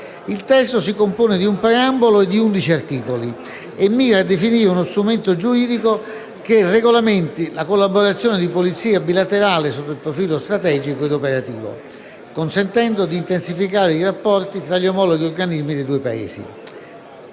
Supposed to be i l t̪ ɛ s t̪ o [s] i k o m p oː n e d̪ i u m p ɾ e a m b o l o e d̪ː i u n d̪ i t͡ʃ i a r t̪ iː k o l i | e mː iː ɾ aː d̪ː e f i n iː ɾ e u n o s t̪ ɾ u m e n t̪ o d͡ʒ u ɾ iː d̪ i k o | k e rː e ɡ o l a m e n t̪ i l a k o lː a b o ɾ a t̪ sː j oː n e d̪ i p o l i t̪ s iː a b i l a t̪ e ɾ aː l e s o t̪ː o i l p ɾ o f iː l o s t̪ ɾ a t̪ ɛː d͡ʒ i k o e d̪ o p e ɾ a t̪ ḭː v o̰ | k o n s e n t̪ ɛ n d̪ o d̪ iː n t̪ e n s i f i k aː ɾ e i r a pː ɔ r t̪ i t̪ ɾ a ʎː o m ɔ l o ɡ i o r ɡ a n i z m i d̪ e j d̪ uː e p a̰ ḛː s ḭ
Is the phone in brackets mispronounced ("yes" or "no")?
no